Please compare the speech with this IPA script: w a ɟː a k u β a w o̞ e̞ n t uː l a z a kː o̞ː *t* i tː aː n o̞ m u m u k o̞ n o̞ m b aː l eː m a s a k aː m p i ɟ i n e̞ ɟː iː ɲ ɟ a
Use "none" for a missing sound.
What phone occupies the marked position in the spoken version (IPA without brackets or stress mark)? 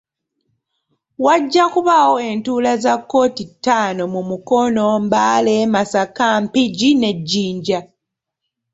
t